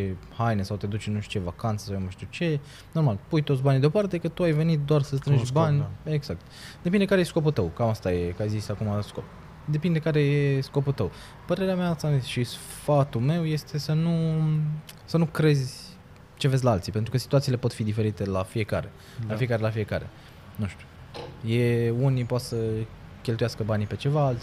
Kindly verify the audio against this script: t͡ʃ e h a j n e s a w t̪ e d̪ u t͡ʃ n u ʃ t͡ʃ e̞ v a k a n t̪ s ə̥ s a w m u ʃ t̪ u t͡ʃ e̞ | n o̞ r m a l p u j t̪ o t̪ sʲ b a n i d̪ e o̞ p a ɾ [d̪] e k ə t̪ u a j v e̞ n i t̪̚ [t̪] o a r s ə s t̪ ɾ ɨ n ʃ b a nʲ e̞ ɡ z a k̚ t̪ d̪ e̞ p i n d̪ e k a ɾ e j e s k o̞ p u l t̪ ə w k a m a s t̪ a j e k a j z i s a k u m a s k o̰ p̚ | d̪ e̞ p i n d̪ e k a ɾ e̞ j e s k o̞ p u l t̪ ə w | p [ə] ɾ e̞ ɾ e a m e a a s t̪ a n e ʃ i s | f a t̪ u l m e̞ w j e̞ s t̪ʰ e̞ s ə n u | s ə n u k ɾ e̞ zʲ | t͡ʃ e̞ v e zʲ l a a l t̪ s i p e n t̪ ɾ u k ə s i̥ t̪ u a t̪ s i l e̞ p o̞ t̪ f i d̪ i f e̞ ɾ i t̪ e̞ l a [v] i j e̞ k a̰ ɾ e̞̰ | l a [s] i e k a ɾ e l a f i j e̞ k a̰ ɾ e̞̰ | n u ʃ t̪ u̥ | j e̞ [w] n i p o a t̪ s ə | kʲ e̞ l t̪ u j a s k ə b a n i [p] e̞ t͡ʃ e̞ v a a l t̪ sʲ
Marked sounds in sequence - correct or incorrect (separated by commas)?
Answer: incorrect, incorrect, correct, incorrect, incorrect, incorrect, correct